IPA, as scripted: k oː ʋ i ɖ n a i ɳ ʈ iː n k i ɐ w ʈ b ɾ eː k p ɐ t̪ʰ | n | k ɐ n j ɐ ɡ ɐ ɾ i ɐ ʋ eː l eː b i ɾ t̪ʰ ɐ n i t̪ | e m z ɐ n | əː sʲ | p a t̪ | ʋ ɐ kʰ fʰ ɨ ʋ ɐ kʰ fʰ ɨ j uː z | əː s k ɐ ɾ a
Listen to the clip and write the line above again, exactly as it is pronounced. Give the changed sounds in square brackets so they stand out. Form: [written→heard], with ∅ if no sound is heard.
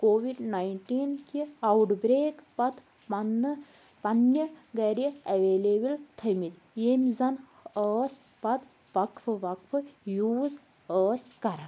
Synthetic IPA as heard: k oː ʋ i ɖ n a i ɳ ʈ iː n k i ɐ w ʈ b ɾ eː k p ɐ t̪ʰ | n | [k→p] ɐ n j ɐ ɡ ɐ ɾ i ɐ ʋ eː l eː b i [ɾ→l] t̪ʰ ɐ [n→m] i t̪ | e m z ɐ n | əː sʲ | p [a→ɐ] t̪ | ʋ ɐ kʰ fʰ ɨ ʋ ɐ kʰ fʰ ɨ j uː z | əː s k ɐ ɾ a